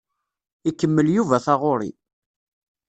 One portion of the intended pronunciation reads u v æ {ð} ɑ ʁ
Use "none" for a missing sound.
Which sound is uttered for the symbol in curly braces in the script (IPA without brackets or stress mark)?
θ